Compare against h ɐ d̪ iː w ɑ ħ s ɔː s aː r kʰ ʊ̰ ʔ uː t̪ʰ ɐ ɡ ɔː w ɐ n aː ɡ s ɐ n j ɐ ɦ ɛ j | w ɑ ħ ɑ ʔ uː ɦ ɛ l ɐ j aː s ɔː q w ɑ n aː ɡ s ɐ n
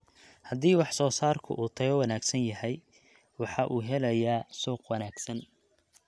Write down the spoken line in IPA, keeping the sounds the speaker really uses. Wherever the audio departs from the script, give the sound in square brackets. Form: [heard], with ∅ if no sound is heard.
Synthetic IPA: h ɐ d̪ iː w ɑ ħ s ɔː s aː r kʰ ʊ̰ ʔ uː t̪ʰ ɐ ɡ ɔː w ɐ n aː ɡ s ɐ n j ɐ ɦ ɛ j | w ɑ ħ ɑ ʔ uː ɦ ɛ l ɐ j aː s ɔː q w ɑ n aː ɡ s ɐ n